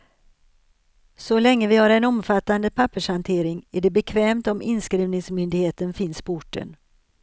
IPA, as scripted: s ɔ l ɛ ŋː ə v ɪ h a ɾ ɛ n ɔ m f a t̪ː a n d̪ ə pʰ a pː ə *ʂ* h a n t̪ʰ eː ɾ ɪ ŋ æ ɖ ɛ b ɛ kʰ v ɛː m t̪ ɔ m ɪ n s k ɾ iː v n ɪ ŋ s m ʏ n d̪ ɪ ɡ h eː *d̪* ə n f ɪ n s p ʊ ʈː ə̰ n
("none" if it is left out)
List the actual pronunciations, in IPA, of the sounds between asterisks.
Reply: ʂ, t̪

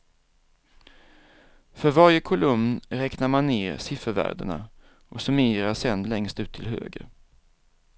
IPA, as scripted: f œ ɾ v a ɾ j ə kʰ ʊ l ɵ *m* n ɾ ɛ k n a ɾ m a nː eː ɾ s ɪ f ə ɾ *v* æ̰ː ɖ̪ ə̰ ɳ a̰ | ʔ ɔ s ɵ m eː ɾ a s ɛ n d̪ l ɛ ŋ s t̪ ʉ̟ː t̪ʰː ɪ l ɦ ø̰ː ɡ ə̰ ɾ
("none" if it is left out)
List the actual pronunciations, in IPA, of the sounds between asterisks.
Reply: m, v

